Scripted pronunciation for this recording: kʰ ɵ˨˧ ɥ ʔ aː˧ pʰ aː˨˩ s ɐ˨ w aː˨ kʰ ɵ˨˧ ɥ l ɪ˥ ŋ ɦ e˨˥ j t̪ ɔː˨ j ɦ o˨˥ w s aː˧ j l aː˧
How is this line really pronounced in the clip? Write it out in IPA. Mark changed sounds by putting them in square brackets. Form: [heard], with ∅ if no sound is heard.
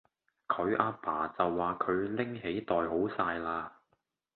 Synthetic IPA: kʰ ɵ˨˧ ɥ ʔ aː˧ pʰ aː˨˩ [t͡s] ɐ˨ [wː] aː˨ kʰ ɵ˨˧ ɥ l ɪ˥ ŋ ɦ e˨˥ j t̪ ɔː˨ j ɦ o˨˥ w s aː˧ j l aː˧